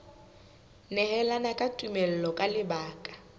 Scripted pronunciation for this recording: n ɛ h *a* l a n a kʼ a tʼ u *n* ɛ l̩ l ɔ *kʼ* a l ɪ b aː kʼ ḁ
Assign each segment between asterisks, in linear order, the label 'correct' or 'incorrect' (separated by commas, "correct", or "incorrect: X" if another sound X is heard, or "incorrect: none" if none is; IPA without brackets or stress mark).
incorrect: ɛ, incorrect: m, correct